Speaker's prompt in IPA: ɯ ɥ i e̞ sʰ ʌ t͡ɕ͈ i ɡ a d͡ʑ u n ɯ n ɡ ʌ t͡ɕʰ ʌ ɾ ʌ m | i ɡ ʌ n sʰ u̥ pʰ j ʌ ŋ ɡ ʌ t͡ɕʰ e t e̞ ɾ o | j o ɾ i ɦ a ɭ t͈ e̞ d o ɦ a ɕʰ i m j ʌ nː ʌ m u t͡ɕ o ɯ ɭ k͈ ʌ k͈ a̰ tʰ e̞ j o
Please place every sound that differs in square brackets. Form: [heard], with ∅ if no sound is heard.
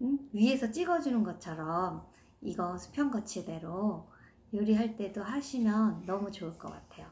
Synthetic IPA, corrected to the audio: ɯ ɥ i e̞ sʰ ʌ t͡ɕ͈ i ɡ [ʌ] d͡ʑ u n ɯ n ɡ ʌ t͡ɕʰ ʌ ɾ ʌ m | i ɡ ʌ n sʰ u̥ pʰ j ʌ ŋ ɡ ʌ t͡ɕʰ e [d] e̞ ɾ o | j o ɾ i ɦ a ɭ t͈ e̞ d o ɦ a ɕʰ i m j ʌ nː ʌ m u t͡ɕ o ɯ ɭ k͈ ʌ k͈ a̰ tʰ e̞ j o